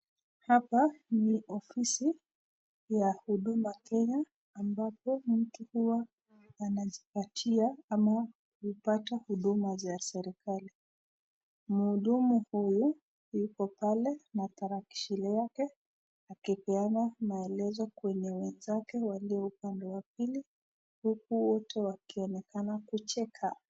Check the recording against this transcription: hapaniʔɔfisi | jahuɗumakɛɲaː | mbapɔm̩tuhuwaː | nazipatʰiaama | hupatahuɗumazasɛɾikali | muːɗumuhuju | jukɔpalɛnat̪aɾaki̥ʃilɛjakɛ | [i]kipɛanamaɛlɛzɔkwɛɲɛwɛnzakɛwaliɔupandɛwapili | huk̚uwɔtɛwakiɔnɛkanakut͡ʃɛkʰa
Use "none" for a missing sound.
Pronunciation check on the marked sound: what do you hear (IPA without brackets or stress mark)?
a